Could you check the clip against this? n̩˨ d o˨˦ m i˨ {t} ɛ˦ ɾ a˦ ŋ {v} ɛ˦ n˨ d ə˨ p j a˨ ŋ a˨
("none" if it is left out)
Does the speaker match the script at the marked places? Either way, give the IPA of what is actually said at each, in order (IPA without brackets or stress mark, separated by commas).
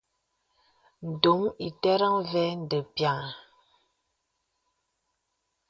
t, v